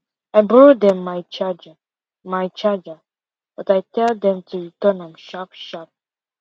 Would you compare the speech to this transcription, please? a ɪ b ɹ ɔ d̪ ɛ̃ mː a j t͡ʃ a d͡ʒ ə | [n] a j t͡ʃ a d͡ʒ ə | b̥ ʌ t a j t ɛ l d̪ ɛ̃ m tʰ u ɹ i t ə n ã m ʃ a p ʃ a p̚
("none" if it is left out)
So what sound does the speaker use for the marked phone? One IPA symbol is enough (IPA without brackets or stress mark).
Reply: m